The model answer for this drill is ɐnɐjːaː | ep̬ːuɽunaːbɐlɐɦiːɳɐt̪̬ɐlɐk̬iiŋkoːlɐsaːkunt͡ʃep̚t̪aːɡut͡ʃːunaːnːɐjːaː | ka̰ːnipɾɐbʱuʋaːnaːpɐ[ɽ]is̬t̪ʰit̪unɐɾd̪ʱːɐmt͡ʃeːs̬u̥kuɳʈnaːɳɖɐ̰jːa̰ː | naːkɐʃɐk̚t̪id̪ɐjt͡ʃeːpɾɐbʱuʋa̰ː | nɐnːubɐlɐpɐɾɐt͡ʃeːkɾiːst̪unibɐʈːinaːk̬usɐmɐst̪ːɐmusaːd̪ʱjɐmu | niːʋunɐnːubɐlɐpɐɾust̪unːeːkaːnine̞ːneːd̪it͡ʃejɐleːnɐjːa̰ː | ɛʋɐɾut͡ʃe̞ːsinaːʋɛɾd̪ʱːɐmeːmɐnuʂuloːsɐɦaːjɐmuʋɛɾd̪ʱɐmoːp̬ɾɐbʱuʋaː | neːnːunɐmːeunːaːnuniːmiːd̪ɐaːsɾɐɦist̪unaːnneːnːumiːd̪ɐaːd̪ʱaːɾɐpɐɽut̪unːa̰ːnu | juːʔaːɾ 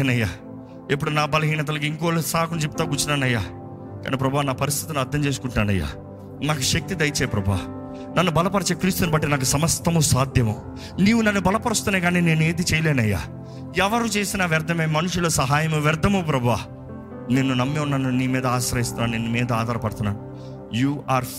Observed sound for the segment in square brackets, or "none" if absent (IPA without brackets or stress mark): ɾ